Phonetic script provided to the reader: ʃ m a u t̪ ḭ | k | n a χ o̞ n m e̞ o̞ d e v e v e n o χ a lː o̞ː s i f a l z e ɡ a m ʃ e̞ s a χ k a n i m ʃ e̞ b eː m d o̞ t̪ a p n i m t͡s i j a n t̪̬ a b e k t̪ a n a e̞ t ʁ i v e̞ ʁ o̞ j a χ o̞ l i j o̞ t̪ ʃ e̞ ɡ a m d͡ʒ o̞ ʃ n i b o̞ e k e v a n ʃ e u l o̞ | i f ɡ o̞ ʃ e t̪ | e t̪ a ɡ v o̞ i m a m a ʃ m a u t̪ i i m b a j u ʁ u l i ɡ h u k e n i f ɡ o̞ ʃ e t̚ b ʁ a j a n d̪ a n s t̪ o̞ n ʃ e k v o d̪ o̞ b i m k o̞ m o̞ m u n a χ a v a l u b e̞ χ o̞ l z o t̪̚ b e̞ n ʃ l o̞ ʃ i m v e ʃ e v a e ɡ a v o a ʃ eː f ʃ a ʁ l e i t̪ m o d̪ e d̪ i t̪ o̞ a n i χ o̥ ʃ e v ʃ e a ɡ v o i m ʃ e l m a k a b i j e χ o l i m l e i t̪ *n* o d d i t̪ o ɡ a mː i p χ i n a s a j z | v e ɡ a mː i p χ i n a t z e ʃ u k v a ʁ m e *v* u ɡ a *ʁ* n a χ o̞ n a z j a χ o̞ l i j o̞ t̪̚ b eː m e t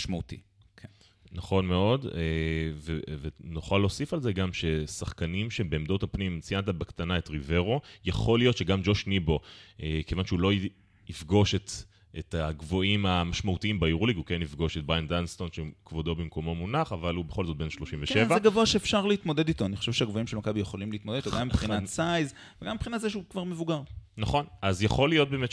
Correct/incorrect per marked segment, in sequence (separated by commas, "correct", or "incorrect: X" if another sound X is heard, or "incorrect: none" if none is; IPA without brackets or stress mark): incorrect: m, correct, correct